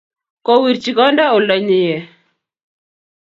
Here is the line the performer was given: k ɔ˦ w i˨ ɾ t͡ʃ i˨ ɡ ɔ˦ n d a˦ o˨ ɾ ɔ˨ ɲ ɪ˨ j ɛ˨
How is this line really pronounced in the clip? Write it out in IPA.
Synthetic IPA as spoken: k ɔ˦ w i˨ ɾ t͡ʃ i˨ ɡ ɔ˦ n d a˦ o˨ l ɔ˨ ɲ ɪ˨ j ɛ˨